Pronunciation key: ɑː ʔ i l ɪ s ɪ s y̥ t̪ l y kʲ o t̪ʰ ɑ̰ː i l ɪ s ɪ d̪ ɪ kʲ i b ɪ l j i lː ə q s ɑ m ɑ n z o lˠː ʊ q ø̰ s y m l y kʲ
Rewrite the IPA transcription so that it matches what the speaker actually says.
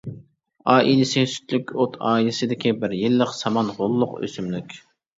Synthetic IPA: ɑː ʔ i l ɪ s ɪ s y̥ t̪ l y kʲ o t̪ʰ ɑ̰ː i l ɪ s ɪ d̪ ɪ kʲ i b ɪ ɾ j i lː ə q s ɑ m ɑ n ʁ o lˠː ʊ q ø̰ s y m l y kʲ